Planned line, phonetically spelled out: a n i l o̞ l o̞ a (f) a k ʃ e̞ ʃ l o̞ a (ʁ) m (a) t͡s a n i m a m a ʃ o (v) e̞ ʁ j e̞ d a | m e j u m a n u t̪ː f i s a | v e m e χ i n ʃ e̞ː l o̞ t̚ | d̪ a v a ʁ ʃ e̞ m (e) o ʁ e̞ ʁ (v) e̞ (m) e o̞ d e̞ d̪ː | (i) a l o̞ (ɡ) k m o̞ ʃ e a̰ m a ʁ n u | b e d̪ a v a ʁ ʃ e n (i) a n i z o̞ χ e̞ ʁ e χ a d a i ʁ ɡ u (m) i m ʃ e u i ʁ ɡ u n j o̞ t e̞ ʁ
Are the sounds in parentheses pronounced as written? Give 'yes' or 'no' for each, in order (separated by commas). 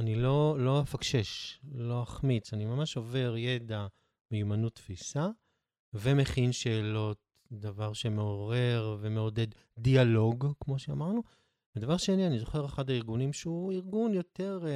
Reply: yes, no, no, yes, yes, yes, yes, yes, yes, yes, no